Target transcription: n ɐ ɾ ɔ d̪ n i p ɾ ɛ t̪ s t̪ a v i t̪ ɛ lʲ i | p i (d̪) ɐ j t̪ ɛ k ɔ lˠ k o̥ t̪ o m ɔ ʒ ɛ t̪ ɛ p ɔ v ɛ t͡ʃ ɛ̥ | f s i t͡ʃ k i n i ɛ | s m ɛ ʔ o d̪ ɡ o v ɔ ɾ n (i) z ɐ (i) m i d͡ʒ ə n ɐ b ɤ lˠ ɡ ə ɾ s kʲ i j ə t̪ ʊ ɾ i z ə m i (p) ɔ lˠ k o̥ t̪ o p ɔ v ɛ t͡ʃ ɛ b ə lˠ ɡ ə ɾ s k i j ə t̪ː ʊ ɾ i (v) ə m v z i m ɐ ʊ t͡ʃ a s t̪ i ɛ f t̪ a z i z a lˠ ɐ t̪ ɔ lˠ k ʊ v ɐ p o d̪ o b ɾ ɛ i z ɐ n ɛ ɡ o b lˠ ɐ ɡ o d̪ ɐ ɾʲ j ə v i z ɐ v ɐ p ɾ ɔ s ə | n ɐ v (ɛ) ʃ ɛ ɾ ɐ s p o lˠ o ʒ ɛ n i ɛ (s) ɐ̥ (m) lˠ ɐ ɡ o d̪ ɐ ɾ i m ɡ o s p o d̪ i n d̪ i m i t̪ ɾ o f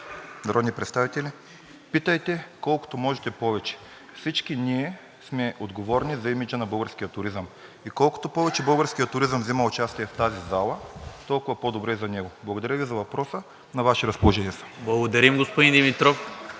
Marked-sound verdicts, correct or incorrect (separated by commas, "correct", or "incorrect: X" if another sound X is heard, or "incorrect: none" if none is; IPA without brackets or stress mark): incorrect: t̪, correct, correct, incorrect: k, incorrect: z, incorrect: a, correct, incorrect: b